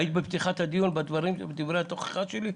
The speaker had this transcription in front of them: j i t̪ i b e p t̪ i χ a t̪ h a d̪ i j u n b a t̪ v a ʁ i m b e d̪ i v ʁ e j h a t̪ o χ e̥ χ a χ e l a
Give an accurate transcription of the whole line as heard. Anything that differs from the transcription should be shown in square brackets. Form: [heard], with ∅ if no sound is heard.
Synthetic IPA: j i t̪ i b e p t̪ i χ a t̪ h a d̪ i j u n b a [d̪] v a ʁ i m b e d̪ i v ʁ e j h a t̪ o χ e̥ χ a [ʃ] e l [i]